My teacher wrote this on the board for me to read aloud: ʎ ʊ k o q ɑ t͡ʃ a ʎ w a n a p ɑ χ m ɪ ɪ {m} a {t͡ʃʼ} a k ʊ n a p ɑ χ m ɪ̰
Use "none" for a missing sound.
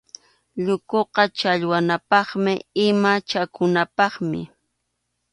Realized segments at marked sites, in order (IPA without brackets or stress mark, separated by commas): m, t͡ʃ